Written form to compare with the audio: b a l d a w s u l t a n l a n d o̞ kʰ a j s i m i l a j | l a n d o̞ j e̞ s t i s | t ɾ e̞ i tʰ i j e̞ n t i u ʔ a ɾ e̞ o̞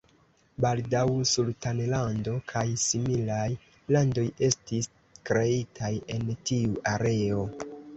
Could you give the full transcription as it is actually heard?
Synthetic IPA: b a l d a w s u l t a n l a n d o̞ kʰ a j s i m i l a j | l a n d o̞ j e̞ s t i s | k ɾ e̞ i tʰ a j e̞ n t i u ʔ a ɾ e̞ o̞